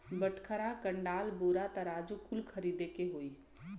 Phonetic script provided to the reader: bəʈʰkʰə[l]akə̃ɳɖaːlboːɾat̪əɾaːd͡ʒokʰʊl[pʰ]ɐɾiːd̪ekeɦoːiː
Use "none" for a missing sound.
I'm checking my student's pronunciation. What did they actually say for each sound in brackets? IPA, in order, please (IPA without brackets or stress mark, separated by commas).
ɾ, kʰ